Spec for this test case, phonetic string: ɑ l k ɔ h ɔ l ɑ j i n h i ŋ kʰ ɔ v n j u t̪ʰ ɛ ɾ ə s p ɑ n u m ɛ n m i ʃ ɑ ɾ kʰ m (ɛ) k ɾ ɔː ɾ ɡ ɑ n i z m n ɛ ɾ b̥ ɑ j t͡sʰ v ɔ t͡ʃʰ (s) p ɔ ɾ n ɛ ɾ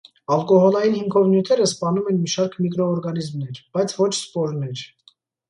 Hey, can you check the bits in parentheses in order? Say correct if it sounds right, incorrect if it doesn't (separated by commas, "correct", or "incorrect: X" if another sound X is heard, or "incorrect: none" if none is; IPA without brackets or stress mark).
incorrect: i, correct